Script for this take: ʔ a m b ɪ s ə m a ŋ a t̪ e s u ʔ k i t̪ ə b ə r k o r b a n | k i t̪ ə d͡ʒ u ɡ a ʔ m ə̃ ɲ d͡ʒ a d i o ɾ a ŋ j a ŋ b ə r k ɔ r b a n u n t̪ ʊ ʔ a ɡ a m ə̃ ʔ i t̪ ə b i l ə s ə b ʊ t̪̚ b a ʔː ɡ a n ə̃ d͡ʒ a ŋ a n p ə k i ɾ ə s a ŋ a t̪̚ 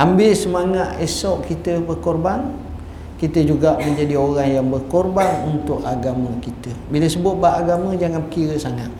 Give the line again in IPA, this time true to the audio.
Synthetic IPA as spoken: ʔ a m b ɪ s ə m a ŋ a t̪ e s ɔ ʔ k i t̪ ə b ə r k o r b a n | k i t̪ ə d͡ʒ u ɡ a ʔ m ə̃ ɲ d͡ʒ a d i o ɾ a ŋ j a ŋ b ə r k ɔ r b a n u n t̪ ʊ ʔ a ɡ a m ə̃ k i t̪ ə b i l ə s ə b ʊ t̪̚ b a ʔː ɡ a m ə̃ d͡ʒ a ŋ a n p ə k i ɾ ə s a ŋ a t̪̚